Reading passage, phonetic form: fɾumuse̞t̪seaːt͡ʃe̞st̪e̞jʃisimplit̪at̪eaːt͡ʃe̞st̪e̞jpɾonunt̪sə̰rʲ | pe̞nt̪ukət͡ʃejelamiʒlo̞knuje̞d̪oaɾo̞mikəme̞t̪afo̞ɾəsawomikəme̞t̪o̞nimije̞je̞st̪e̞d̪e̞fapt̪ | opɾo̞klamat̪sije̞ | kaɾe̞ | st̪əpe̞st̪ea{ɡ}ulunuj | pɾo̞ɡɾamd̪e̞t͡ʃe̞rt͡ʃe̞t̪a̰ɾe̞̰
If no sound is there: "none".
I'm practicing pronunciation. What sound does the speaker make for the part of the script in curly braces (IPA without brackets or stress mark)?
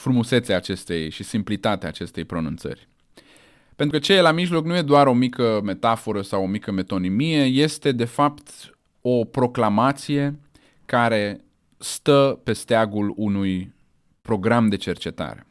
ɡ